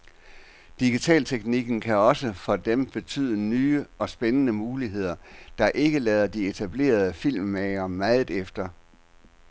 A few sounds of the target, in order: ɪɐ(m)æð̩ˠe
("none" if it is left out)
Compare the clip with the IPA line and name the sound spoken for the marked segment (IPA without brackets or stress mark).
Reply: m